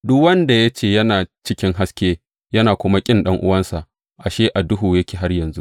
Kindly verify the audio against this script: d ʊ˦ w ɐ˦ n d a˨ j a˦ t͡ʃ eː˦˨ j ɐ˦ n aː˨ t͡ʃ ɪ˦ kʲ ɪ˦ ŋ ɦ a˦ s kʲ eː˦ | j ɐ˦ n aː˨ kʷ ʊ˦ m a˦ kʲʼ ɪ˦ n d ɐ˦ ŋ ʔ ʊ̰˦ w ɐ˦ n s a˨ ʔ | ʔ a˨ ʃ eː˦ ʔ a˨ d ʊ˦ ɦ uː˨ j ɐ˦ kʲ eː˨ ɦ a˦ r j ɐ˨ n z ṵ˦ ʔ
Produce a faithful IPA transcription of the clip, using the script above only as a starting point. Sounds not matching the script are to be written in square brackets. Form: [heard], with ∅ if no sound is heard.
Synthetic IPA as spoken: d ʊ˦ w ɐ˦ n d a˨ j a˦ t͡ʃ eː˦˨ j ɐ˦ n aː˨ t͡ʃ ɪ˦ kʲ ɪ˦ ŋ ɦ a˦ s kʲ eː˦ | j ɐ˦ n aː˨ kʷ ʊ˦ m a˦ kʲʼ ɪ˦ n [ɗ] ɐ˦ ŋ ʔ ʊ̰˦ w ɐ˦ n s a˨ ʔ | ʔ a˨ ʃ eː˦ ʔ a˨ d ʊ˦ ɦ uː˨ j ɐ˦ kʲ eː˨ ɦ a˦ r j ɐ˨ n z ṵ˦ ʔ

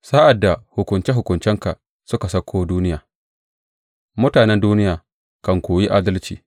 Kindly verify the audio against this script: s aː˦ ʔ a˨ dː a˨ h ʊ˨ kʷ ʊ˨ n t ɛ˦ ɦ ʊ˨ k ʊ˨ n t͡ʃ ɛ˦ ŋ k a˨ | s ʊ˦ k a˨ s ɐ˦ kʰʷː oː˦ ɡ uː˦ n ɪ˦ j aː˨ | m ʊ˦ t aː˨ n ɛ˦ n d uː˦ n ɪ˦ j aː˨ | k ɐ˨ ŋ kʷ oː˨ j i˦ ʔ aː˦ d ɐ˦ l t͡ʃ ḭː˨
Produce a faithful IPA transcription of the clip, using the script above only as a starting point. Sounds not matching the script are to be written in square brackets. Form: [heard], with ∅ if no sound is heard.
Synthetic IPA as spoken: s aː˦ ʔ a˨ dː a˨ h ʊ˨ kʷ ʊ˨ n [t͡ʃ] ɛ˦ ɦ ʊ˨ k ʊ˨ n t͡ʃ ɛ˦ ŋ k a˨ | s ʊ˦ k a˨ s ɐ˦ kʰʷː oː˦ [d] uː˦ n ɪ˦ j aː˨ | m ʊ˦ t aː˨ n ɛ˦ n d uː˦ n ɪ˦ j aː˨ | k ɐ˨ ŋ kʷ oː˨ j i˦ ʔ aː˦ d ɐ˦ l t͡ʃ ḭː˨

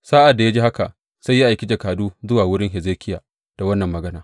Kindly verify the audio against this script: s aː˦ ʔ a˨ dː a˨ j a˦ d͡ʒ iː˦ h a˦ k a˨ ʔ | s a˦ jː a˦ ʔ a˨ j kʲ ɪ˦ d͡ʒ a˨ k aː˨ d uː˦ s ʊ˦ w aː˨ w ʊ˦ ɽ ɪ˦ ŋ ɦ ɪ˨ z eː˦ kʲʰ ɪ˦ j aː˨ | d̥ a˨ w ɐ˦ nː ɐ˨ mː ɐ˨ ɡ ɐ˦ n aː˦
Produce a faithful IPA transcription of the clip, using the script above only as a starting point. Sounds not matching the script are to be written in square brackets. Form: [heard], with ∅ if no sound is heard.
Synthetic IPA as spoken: s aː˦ ʔ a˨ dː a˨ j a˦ d͡ʒ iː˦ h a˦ k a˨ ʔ | s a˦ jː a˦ ʔ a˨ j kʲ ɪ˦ d͡ʒ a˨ k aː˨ d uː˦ [z] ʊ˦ w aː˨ w ʊ˦ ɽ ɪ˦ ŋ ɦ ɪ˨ z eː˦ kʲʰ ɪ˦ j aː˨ | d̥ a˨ w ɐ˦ nː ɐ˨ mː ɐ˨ ɡ ɐ˦ n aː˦

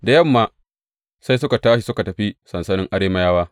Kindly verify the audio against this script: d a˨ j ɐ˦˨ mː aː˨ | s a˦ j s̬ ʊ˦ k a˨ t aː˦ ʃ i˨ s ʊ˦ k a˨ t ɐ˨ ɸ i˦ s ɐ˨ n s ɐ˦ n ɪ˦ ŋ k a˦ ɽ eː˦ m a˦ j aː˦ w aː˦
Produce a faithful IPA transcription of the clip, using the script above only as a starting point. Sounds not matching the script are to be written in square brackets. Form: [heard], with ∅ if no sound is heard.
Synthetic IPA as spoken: d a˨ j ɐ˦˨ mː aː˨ | s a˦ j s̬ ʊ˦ k a˨ t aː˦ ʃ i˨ s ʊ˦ k a˨ t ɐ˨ ɸ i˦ s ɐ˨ n s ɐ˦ n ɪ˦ ŋ [ʔ] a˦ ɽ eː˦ m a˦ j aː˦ w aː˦

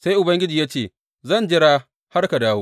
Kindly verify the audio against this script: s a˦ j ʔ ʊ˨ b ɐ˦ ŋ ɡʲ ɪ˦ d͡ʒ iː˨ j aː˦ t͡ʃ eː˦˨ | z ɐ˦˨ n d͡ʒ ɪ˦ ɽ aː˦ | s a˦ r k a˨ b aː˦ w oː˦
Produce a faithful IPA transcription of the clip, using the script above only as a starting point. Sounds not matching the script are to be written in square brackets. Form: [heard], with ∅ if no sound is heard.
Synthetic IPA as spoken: s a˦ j ʔ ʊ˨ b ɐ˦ ŋ ɡʲ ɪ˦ d͡ʒ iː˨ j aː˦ t͡ʃ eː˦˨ | z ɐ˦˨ n d͡ʒ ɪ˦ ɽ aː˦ | [h] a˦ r k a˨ [d] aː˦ w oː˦

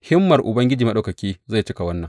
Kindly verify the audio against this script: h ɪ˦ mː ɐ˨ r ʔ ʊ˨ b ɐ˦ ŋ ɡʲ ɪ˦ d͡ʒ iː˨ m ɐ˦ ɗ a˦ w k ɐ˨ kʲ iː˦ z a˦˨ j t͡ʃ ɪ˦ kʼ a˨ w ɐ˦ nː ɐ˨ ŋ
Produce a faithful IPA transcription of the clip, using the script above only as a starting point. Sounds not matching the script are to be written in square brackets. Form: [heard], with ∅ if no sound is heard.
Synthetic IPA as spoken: h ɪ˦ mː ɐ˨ r ʔ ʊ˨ b ɐ˦ ŋ ɡʲ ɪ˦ d͡ʒ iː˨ m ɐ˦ ɗ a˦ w k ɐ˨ kʲ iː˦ z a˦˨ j t͡ʃ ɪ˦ [k] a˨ w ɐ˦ nː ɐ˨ ŋ

